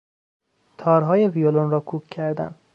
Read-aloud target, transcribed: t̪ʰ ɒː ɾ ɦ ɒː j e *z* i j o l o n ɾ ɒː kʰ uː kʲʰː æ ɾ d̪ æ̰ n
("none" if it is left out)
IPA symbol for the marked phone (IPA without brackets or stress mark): v